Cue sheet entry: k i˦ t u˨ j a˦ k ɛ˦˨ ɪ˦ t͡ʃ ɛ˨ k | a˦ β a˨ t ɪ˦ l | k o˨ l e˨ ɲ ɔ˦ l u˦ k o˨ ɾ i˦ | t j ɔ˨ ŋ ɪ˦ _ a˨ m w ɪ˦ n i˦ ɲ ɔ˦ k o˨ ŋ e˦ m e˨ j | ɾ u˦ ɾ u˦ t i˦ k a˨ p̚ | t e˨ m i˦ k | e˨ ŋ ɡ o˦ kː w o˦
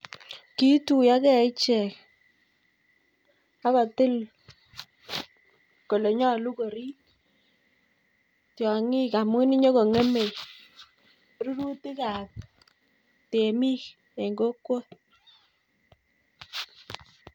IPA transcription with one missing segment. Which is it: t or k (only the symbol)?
k